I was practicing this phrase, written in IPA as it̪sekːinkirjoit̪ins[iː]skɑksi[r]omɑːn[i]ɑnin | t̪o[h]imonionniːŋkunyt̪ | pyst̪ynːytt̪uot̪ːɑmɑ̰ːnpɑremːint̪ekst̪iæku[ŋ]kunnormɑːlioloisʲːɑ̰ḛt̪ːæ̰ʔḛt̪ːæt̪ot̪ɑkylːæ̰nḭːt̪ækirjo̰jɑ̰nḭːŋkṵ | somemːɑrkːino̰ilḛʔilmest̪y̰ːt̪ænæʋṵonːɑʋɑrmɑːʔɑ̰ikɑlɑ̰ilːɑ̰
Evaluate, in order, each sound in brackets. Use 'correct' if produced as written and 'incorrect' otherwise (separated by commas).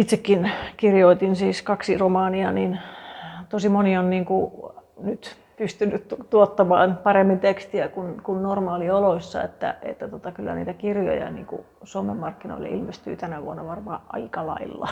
correct, correct, correct, incorrect, incorrect